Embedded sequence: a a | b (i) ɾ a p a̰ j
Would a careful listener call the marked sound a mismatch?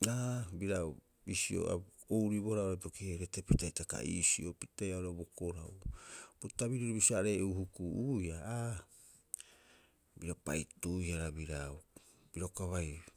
no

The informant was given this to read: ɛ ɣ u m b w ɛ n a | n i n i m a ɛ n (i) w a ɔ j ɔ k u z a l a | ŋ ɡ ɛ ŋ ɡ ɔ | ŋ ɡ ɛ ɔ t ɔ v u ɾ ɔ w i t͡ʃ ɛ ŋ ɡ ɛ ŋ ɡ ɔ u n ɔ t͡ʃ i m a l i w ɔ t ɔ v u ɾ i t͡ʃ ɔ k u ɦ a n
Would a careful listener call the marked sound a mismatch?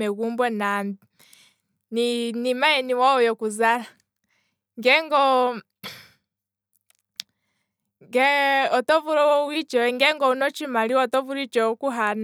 no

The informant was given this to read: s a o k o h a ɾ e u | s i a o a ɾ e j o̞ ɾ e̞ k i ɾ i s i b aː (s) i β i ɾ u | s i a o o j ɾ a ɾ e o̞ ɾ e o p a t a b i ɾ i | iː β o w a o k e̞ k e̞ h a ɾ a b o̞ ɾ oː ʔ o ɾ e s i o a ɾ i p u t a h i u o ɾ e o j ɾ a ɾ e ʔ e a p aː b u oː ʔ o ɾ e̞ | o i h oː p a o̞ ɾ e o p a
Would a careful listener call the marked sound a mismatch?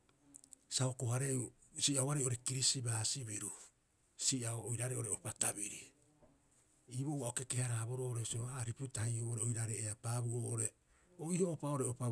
no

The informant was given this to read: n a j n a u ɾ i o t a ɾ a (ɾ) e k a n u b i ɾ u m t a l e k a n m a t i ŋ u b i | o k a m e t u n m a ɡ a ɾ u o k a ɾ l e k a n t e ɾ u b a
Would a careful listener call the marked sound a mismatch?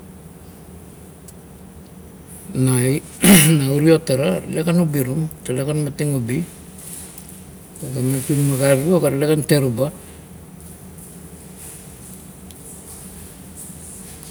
yes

